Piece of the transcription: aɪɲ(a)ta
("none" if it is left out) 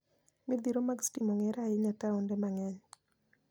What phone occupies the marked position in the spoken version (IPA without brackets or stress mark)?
a